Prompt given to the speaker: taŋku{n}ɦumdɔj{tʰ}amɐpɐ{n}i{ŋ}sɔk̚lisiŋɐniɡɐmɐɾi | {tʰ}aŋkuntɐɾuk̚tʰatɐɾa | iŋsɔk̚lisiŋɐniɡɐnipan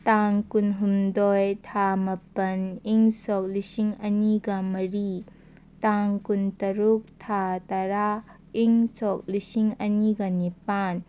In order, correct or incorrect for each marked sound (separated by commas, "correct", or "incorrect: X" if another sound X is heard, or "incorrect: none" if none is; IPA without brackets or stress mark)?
correct, correct, correct, correct, incorrect: t